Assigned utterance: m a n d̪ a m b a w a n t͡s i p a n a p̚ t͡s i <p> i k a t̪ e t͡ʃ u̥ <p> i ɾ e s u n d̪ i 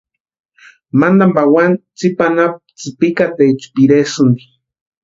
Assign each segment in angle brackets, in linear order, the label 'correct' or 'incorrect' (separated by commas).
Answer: correct, correct